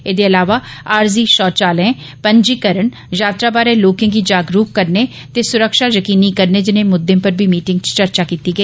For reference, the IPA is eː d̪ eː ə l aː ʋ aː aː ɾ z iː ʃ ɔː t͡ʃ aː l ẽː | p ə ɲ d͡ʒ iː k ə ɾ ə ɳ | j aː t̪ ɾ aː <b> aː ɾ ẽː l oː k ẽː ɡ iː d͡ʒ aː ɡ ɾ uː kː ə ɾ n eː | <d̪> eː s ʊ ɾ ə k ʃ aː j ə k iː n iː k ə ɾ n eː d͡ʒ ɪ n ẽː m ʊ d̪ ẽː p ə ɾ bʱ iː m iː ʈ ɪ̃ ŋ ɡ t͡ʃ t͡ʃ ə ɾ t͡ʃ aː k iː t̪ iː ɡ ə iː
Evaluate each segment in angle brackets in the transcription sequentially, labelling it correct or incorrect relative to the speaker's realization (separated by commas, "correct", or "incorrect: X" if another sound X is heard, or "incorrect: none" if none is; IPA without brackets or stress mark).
correct, incorrect: t̪